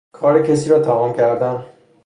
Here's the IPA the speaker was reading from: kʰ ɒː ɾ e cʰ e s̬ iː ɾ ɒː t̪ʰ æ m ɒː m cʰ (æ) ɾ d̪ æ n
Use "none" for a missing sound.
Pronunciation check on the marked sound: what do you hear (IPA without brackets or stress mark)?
æ